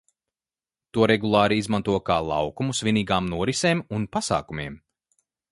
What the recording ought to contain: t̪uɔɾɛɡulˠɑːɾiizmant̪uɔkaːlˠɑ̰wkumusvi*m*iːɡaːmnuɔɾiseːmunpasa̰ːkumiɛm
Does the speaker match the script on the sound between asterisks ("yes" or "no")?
no